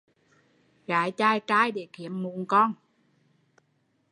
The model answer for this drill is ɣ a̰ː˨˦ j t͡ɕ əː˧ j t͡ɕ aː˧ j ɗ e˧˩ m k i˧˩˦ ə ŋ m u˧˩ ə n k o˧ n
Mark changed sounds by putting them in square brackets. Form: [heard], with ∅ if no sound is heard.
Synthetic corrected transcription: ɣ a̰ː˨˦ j t͡ɕ [aː˧] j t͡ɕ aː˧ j ɗ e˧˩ [∅] k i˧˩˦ ə [m] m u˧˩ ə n k [ɔ˧] n